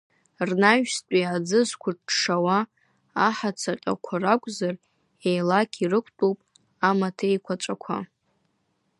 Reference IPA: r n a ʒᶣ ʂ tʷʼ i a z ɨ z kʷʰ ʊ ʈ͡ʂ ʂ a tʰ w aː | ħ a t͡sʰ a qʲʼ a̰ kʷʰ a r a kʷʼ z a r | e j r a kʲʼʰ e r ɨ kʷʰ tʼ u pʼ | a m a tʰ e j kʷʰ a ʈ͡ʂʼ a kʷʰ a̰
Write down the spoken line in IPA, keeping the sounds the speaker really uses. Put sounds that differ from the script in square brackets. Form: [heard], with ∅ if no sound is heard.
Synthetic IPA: r n a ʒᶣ [s] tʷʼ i a [d͡z] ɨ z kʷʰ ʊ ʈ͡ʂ ʂ a [∅] w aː | ħ a t͡sʰ a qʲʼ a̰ kʷʰ a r a kʷʼ z a r | e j [l] a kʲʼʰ [i] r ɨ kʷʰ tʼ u pʼ | a m a tʰ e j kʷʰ a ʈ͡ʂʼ a kʷʰ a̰